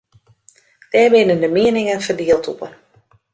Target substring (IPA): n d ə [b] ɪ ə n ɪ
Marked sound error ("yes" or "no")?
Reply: yes